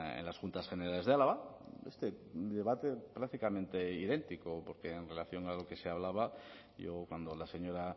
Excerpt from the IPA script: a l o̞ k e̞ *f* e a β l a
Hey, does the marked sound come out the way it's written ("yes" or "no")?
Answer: no